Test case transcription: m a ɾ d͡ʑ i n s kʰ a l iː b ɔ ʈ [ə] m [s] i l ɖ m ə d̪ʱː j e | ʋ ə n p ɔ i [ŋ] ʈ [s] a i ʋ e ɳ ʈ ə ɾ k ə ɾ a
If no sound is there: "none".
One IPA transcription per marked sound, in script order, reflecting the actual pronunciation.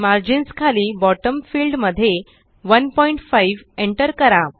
ə, f, ɳ, f

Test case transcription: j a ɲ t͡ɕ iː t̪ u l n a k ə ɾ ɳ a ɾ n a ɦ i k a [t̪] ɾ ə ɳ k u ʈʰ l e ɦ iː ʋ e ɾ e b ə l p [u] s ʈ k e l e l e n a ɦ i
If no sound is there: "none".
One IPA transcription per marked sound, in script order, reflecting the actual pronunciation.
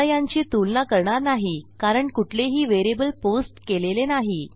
none, o

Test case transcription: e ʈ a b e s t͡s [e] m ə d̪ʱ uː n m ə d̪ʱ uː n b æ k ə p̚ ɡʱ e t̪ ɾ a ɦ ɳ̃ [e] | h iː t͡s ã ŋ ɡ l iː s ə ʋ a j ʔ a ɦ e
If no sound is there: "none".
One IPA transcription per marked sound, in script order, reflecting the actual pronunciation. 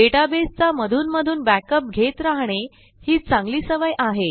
a, e

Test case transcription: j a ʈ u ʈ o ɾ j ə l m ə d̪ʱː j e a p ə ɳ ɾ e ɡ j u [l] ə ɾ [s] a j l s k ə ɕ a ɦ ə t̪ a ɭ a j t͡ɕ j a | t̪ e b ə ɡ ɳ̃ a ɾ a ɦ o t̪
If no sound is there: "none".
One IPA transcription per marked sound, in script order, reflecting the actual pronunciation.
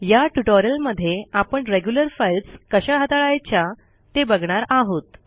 l, f

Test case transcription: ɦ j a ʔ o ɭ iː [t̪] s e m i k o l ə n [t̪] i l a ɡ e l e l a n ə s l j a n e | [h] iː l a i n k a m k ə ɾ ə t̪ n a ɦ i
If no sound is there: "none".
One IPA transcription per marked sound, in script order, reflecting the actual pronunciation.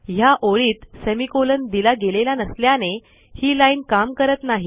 t̪, d̪, h

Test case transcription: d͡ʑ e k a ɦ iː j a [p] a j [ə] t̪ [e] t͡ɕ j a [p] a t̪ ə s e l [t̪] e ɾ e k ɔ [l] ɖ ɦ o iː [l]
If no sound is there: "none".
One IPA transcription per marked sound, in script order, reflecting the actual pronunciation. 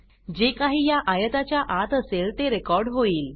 ʔ, ə, a, ʔ, t̪, ɾ, l

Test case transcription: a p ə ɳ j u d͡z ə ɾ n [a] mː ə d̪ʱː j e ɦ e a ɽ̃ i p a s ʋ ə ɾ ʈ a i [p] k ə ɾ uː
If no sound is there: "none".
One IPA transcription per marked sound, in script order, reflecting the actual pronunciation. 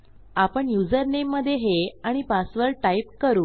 e, p

